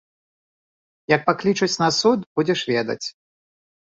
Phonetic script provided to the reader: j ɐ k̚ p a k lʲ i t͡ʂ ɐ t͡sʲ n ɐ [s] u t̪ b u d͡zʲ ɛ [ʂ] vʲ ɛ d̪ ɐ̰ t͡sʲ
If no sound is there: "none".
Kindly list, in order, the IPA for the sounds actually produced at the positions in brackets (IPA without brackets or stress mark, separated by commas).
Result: s, ʂ